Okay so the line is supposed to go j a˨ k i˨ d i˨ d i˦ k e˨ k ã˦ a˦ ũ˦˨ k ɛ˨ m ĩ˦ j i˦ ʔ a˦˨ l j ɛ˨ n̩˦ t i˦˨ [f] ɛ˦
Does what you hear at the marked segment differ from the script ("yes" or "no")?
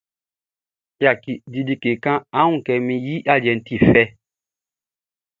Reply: no